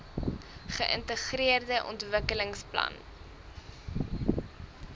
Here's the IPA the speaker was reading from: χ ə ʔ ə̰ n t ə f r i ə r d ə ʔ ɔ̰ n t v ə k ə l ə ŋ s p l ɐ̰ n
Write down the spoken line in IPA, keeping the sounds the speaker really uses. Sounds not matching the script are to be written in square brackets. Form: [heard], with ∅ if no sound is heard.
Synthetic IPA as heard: χ ə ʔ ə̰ n t ə [χ] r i ə r d ə ʔ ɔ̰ n t v ə k ə l ə ŋ s p l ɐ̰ n

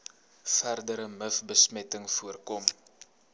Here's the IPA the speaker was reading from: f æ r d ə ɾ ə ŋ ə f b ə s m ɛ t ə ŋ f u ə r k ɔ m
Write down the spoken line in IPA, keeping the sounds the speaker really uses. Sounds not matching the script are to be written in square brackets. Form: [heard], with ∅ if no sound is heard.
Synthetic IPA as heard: f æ r d ə ɾ ə [m] ə f b ə s m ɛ t ə ŋ f u ə r k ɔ m

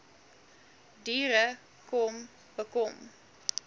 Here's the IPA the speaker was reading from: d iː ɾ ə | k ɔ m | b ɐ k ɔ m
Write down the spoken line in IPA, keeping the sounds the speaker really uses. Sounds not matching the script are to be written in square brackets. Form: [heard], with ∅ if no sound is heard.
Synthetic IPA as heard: d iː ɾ ə | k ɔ m | b [ə] k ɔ m

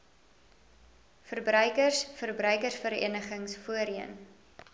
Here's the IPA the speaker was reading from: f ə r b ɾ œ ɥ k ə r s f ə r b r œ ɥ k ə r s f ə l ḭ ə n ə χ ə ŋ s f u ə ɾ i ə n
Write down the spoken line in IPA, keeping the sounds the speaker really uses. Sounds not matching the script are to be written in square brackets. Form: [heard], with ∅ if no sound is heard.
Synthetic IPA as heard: f ə r b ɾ œ ɥ k ə r s f ə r b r œ ɥ k ə r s f ə [ɾ] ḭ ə n ə χ ə ŋ s f u ə ɾ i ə n

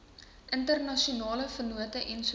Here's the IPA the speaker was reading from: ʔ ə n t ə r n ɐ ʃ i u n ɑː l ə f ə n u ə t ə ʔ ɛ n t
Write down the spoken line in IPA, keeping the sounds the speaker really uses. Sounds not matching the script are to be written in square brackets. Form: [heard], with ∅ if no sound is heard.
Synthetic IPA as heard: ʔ ə n t ə r n ɐ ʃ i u n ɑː l ə f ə n u ə t ə ʔ ɛ n [s]

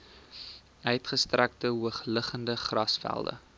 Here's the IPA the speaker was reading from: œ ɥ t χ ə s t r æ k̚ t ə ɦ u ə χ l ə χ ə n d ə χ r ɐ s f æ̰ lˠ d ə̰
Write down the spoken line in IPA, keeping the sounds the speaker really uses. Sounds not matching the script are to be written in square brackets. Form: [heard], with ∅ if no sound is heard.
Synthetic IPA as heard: œ ɥ t χ ə s t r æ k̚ t ə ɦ u ə χ l ə χ ə n d ə χ r ɐ s f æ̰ lˠ d ə̰

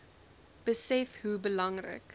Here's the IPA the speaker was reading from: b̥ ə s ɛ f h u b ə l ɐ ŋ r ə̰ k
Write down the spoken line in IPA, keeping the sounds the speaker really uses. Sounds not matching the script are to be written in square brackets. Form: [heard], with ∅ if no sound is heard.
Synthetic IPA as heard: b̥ ə s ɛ f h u b ə l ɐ ŋ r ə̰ k

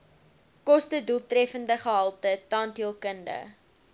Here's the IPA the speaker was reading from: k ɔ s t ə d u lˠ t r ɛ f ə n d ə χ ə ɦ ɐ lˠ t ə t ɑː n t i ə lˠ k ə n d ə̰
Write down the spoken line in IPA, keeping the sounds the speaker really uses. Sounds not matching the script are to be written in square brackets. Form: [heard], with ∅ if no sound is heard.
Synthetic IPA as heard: k ɔ s t ə d u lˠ t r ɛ f ə n d ə χ ə ɦ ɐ lˠ t ə t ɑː n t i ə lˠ k ə n d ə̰

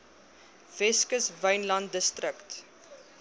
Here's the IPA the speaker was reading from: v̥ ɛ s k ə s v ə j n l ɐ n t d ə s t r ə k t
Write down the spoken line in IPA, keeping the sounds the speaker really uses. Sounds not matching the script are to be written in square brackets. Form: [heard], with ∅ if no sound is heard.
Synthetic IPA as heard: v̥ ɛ s k ə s v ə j n l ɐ n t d ə s t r ə k t

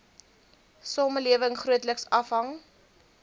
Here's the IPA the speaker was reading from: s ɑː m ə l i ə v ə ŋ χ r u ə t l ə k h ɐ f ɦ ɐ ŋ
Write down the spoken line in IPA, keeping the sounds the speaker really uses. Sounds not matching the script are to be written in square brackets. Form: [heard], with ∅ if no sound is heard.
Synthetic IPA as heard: s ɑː m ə l i ə v ə ŋ χ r u ə t l ə k [s] ɐ f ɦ ɐ ŋ

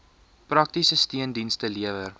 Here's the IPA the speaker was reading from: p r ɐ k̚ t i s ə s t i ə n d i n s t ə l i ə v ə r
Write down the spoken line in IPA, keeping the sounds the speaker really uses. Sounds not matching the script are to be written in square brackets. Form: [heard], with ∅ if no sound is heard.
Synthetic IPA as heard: p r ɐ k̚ t i s ə s t i ə n d i n s t ə l i ə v ə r

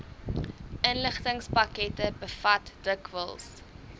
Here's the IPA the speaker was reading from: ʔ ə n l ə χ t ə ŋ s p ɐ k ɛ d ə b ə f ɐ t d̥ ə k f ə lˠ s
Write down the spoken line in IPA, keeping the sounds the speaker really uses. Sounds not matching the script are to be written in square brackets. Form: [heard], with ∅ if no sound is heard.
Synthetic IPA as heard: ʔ ə n l ə χ t ə ŋ s p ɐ k ɛ [t] ə b ə f ɐ t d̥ ə k [v] ə lˠ s

